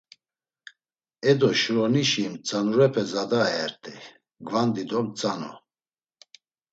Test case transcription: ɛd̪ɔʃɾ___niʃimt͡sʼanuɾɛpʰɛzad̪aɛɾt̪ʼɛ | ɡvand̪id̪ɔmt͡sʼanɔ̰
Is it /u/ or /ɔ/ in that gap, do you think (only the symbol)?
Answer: ɔ